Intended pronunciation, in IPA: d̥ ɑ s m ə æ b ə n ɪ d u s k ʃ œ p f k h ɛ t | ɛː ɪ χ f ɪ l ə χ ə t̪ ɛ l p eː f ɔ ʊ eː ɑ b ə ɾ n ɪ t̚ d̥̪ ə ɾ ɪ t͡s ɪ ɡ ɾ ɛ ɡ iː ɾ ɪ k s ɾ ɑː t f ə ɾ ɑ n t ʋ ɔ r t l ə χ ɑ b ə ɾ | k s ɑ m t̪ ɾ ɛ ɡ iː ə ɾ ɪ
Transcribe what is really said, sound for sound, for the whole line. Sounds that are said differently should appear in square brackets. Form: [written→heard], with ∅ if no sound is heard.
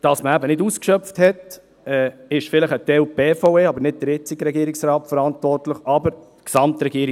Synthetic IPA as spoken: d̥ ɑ s m ə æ b ə n ɪ d u s k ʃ œ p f [k→t] h ɛ t | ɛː ɪ [χ→ʃ] f ɪ l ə χ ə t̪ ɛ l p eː f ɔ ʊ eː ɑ b ə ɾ n ɪ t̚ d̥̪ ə ɾ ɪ t͡s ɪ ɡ ɾ ɛ ɡ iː ɾ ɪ k s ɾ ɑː t f ə ɾ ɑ n t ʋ ɔ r t l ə χ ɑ b ə ɾ | k s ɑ m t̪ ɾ ɛ ɡ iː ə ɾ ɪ

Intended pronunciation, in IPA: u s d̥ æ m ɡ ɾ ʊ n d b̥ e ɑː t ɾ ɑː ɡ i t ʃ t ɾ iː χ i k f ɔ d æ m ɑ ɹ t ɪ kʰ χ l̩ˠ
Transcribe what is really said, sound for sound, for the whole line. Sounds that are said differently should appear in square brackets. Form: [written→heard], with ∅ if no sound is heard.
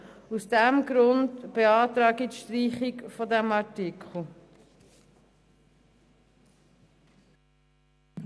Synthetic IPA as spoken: u s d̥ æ m ɡ ɾ ʊ n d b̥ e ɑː t ɾ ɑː ɡ i t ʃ t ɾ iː χ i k f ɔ d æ m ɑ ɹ t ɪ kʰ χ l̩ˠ

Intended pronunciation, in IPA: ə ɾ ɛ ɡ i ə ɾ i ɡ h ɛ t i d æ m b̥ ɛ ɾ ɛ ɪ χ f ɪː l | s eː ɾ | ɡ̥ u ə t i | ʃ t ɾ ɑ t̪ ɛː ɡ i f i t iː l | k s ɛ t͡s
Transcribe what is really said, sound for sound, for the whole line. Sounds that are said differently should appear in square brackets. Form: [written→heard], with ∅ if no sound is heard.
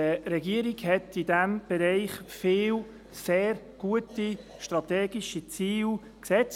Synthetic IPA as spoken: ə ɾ ɛ ɡ i ə ɾ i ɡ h ɛ t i d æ m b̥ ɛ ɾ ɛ ɪ χ f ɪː l | s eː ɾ | ɡ̥ u ə t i | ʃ t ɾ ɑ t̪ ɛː ɡ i [f→ʃ] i [t→t͡s] iː l | k s ɛ t͡s

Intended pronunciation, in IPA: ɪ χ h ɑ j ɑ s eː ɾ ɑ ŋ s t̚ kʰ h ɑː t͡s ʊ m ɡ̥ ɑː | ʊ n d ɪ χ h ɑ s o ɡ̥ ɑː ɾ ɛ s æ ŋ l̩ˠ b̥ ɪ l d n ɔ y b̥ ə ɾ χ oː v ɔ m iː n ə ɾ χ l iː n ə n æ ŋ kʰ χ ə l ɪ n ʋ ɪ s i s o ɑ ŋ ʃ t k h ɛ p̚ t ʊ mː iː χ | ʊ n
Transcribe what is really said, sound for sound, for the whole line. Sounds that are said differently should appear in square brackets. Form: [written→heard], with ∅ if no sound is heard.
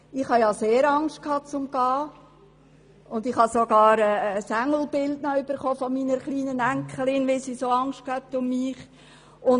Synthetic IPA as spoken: ɪ χ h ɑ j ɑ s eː ɾ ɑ ŋ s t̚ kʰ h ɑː t͡s ʊ m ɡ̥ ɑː | ʊ n d ɪ χ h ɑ s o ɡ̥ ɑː ɾ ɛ s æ ŋ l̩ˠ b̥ ɪ l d n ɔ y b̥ ə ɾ χ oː [v→f] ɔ m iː n ə ɾ χ l iː n ə n æ ŋ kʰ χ ə l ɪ n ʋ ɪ s i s o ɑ ŋ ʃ t k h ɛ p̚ t ʊ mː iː χ | ʊ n

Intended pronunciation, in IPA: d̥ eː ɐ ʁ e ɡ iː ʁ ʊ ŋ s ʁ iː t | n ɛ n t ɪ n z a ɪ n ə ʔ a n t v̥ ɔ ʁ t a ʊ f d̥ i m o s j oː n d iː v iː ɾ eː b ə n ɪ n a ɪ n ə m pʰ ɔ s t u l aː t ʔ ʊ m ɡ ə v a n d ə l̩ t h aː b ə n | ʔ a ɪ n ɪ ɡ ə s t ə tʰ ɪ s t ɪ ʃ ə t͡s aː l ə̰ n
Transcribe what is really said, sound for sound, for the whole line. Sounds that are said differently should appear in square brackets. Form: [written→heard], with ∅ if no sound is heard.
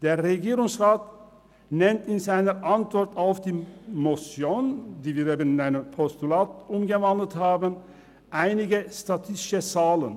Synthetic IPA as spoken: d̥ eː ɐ ʁ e ɡ iː ʁ ʊ ŋ s ʁ [iː→aː] t | n ɛ n t ɪ n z a ɪ n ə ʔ a n t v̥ ɔ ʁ t a ʊ f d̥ [i→iː] m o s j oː n d iː v iː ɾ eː b ə n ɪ n a ɪ n ə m pʰ ɔ s t u l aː t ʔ ʊ m ɡ ə v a n d ə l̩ t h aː b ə n | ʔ a ɪ n ɪ ɡ ə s t [ə→a] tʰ ɪ s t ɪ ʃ ə t͡s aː l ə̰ n

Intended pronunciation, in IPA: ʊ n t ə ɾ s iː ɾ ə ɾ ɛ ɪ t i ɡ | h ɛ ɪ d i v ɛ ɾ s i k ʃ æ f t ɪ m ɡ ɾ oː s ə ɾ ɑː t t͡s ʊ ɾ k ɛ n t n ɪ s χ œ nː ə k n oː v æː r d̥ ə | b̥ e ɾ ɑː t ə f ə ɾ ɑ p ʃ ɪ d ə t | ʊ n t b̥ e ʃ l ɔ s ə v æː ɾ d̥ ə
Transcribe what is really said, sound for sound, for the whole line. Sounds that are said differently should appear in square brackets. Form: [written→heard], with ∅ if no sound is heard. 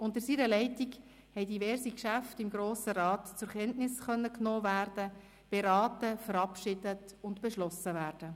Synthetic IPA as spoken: ʊ n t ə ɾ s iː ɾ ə [ɾ→l] ɛ ɪ t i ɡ | h ɛ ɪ d i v ɛ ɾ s i k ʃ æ f t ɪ m ɡ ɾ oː s ə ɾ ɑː t t͡s ʊ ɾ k ɛ n t n ɪ s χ œ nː ə k n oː v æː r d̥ ə | b̥ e ɾ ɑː t ə f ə ɾ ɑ p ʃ ɪ d ə t | ʊ n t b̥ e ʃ l ɔ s ə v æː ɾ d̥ ə

